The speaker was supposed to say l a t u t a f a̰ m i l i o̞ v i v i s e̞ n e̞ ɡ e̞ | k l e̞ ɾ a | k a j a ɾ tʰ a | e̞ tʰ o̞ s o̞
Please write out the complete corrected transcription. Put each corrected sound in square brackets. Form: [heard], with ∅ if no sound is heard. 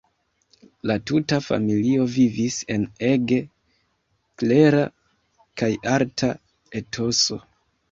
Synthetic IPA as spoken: l a t u t a f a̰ m i l i o̞ v i v i s e̞ n e̞ ɡ e̞ | k l e̞ ɾ a | k a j a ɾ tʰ a | e̞ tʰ o̞ s o̞